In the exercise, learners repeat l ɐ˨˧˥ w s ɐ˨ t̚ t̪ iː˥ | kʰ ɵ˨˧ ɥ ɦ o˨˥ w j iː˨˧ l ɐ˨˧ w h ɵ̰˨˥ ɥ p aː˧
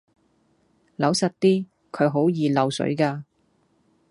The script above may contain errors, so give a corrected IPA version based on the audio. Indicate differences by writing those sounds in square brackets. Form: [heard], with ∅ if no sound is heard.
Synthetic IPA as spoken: l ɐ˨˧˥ w s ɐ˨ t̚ t̪ iː˥ | kʰ ɵ˨˧ ɥ ɦ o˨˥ w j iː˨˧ l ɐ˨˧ w [s] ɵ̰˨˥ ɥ [k] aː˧